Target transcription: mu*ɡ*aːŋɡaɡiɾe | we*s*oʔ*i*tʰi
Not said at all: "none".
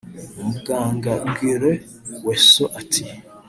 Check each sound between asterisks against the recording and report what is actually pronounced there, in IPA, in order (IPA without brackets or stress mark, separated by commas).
ɡ, s, a